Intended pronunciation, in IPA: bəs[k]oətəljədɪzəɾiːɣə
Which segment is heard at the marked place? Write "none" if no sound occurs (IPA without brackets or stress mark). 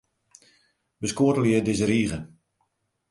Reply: k